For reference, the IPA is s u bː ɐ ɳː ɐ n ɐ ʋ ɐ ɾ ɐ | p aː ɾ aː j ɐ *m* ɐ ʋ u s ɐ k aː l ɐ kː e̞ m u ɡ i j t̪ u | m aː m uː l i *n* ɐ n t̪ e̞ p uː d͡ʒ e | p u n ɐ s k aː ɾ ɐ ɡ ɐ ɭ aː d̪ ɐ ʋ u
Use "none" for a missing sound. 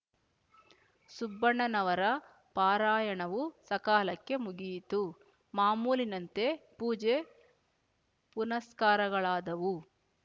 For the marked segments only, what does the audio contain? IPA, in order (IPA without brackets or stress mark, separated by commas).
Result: ɳ, n